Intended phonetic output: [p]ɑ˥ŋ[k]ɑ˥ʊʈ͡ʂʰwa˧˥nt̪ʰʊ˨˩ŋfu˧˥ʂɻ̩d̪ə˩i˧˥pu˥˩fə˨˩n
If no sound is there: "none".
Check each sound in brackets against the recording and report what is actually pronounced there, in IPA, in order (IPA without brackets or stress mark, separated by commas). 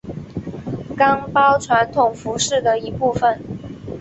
k, p